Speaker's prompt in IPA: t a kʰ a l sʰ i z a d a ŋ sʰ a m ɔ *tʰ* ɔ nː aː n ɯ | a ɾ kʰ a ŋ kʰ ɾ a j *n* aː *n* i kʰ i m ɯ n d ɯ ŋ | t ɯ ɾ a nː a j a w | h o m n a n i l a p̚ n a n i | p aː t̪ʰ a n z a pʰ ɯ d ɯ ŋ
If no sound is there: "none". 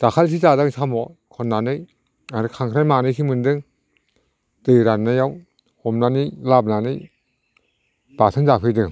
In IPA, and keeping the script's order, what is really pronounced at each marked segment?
kʰ, m, n

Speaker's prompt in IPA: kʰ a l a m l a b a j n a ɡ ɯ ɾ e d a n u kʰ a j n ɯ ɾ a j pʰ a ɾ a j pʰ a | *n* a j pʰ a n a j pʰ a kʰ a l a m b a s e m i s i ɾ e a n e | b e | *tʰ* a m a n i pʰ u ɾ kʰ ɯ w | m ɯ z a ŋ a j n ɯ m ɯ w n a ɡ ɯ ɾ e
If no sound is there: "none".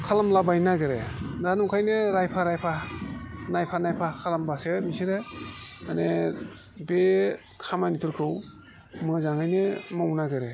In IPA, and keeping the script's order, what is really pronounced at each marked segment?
n, kʰ

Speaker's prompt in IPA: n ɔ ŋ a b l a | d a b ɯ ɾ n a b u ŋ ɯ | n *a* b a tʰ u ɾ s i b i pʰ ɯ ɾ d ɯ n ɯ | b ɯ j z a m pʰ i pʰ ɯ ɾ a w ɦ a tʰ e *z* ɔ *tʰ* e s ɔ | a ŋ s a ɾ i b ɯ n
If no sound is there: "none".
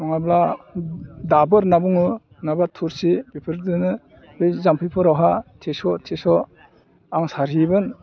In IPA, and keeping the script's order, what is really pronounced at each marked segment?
a, s, tʰ

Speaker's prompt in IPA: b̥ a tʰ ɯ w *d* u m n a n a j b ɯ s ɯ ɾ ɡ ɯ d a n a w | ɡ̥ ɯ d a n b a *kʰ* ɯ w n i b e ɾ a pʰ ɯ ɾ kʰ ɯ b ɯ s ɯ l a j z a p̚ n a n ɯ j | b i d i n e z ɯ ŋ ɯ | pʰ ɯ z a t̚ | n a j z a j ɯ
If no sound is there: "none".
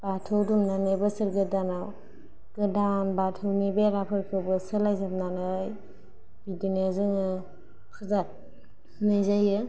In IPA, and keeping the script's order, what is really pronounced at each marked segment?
d, tʰ

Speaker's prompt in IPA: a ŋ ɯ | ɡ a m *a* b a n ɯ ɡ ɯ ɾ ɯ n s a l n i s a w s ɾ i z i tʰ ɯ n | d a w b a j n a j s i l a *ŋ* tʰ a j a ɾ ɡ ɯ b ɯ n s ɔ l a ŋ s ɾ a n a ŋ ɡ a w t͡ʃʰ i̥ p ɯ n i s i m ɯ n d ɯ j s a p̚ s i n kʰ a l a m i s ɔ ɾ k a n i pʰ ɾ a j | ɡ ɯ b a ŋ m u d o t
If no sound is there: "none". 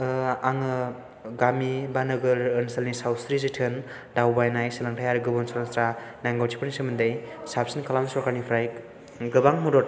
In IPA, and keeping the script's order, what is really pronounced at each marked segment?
i, ŋ

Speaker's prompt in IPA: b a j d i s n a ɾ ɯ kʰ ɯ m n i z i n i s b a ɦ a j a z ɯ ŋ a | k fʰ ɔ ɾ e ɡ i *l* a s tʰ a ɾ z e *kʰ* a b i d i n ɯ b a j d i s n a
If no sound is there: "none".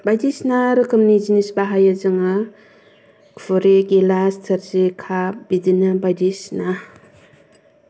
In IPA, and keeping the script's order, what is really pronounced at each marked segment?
l, kʰ

